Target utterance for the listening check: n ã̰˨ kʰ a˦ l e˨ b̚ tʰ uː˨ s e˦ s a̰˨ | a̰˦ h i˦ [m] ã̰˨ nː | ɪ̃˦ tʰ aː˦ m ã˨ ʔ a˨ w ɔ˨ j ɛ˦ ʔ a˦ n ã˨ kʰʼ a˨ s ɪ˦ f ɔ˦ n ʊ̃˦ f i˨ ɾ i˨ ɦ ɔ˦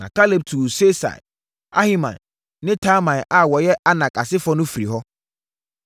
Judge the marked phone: correct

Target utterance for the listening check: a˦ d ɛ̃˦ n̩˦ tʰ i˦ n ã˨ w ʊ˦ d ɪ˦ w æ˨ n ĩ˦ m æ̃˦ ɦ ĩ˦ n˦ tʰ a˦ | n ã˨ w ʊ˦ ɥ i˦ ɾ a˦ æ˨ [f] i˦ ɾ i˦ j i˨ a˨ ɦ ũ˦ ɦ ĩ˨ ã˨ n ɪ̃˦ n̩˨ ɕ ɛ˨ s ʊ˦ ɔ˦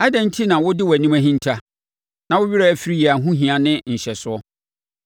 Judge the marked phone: correct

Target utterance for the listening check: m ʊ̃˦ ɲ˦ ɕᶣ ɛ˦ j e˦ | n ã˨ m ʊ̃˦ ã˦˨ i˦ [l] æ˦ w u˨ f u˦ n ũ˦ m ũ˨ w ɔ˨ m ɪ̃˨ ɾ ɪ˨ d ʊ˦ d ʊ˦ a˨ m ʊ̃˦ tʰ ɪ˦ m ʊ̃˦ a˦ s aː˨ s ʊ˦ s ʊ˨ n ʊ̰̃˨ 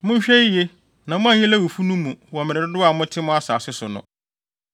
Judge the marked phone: correct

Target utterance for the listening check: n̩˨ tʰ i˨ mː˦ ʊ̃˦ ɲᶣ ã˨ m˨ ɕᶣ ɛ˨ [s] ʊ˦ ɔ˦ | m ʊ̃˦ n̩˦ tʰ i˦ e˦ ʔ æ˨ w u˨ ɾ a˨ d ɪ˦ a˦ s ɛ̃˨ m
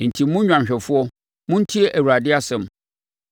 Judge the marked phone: incorrect: f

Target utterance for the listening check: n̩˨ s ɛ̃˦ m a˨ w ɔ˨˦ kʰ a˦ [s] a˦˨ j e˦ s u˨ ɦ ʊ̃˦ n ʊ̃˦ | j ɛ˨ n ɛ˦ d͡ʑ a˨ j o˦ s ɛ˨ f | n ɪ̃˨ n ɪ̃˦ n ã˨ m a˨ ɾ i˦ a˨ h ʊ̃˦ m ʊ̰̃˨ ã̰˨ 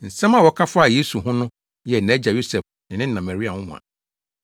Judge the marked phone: incorrect: f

